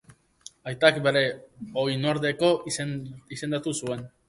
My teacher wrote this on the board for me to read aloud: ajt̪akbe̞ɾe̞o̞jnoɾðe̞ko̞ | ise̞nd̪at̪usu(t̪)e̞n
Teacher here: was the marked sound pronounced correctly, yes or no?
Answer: no